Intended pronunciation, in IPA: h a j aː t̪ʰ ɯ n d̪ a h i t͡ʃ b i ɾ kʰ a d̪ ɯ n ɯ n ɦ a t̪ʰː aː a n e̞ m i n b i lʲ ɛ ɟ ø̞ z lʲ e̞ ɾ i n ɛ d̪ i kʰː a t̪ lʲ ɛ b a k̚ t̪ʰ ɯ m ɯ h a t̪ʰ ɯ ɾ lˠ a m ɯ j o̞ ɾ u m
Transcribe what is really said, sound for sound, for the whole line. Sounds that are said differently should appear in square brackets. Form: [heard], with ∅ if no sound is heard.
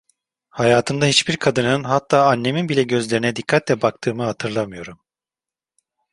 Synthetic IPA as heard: h a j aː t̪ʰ ɯ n d̪ a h i t͡ʃ b i ɾ kʰ a d̪ ɯ n ɯ n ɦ a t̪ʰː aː a [nː] e̞ m i n b i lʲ ɛ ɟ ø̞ z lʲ e̞ ɾ i n ɛ d̪ i kʰː a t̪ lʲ ɛ b a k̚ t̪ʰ [ɯː] m ɯ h a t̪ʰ ɯ ɾ lˠ a m ɯ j o̞ ɾ u m